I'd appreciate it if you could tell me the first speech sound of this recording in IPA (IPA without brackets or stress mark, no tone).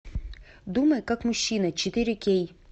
d̪